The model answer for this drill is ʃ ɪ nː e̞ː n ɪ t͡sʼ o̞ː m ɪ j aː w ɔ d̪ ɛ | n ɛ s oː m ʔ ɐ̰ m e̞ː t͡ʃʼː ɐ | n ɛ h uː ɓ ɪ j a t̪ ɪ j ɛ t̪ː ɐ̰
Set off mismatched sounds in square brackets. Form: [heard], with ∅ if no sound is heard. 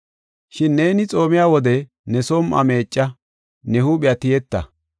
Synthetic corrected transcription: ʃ ɪ nː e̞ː n ɪ t͡sʼ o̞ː m ɪ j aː w ɔ d̪ ɛ | n ɛ s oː m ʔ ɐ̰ m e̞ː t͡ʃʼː ɐ | n ɛ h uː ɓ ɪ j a t̪ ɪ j ɛ t̪ː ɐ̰